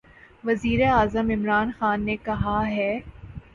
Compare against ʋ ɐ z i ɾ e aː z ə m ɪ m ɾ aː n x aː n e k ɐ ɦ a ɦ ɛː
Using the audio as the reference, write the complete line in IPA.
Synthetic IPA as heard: ʋ ɐ z iː ɾ e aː z ə m ɪ m ɾ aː n x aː nː e k ɐ ɦ a ɦ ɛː

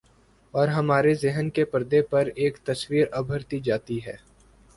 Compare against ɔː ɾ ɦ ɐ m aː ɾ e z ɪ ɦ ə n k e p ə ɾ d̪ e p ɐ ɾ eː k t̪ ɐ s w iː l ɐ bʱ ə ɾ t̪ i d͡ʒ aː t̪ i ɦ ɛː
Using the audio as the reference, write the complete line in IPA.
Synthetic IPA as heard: ɔː ɾ ɦ ɐ m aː ɾ e z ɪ ɦ ə n k e p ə ɾ d̪ e p ɐ ɾ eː k t̪ ɐ s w iː ɾ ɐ bʱ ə ɾ t̪ i d͡ʒ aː t̪ i ɦ ɛː

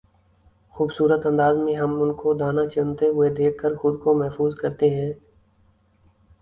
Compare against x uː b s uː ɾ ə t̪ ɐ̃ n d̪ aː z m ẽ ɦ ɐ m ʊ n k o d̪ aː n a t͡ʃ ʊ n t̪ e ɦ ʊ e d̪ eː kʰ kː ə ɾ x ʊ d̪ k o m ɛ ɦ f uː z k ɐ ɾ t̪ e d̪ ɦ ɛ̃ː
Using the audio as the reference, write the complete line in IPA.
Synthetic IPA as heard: x uː b s uː ɾ ə t̪ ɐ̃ n d̪ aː z m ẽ ɦ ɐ m ʊ n k o d̪ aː n a t͡ʃ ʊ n t̪ e ɦ ʊ e d̪ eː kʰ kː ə ɾ x ʊ d̪ k o m ɛ ɦ f uː z k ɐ ɾ t̪ e ɦ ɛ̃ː

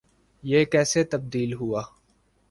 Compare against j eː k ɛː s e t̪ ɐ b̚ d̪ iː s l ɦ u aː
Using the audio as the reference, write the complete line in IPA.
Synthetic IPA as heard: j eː k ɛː s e t̪ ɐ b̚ d̪ iː l ɦ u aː

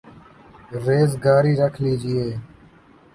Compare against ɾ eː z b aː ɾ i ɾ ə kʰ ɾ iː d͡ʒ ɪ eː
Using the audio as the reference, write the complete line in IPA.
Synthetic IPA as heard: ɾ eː z ɡ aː ɾ iː ɾ ə kʰ l iː d͡ʒ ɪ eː

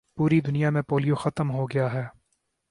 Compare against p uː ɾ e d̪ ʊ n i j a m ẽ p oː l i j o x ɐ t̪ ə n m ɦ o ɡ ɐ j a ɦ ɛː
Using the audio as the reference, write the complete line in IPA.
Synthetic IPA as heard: p uː ɾ i d̪ ʊ n i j a m ẽ p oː l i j o x ɐ t̪ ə m ɦ o ɡ ɐ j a ɦ ɛː

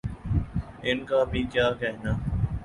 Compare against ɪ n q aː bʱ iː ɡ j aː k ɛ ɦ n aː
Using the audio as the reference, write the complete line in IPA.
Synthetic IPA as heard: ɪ n k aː bʱ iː k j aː k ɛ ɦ n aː

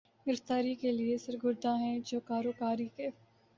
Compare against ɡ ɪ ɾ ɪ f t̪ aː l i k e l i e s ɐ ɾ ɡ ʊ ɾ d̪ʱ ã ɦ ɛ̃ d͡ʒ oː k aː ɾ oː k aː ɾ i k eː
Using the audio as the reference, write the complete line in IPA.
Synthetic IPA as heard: ɡ ɪ ɾ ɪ f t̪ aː ɾ i k e l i e s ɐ ɾ ɡ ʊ ɾ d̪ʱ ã ɦ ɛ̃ d͡ʒ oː k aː ɾ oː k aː ɾ i k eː

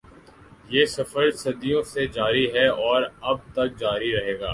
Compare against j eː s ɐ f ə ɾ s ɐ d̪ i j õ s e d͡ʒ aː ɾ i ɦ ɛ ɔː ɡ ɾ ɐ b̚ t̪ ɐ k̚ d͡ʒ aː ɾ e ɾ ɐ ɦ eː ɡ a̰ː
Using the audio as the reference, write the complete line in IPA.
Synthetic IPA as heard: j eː s ɐ f ə ɾ s ɐ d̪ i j õ s e d͡ʒ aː ɾ i ɦ ɛ ɔː ɾ ɐ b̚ t̪ ɐ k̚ d͡ʒ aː ɾ i ɾ ɐ ɦ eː ɡ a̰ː

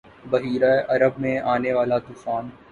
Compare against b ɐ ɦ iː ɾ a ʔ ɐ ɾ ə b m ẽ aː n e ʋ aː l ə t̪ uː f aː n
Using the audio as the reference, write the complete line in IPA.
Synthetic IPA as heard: b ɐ ɦ iː ɾ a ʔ ɐ ɾ ə b m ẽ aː n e ʋ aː l a t̪ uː f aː n

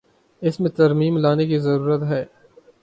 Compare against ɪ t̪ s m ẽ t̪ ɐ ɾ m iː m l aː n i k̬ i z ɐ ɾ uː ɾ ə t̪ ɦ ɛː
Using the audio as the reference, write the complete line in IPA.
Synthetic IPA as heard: ɪ s m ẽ t̪ ɐ ɾ m iː m l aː n e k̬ i z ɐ ɾ uː ɾ ə t̪ ɦ ɛː

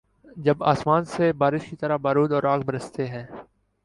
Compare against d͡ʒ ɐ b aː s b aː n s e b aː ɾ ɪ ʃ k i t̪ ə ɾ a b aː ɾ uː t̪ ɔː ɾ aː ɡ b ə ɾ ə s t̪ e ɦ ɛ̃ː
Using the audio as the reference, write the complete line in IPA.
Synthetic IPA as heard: d͡ʒ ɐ b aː s m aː n s e b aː ɾ ɪ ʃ k i t̪ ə ɾ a b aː ɾ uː d̪ ɔː ɾ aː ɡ b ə ɾ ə s t̪ e ɦ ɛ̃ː

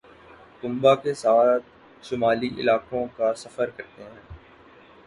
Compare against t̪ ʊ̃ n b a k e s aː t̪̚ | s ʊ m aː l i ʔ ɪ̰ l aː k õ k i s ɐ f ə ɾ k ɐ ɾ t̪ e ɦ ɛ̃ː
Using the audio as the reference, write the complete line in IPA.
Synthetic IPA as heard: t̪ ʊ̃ m b a k e s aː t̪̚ | ʃ ʊ m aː l i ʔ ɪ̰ l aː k õ k a s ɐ f ə ɾ k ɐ ɾ t̪ e ɦ ɛ̃ː

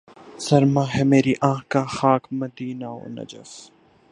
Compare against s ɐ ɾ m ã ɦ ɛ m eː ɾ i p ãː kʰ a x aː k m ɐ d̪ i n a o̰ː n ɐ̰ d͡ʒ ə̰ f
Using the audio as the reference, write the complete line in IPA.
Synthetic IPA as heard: s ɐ ɾ m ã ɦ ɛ m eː ɾ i ʔ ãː k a x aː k m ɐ d̪ iː n a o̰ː n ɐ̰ d͡ʒ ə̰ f

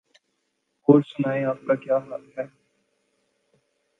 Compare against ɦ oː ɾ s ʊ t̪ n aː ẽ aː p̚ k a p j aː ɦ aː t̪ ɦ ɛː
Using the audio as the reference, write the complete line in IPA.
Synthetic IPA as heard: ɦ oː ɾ s ʊ n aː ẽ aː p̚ k a k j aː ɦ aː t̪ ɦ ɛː

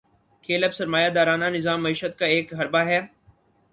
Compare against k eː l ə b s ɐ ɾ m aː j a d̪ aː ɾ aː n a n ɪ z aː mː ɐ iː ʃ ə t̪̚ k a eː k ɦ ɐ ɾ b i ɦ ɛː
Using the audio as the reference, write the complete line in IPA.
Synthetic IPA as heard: kʰ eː l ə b s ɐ ɾ m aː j a d̪ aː ɾ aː n a n ɪ z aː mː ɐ iː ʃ ə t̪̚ k a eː k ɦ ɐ ɾ b a ɦ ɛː

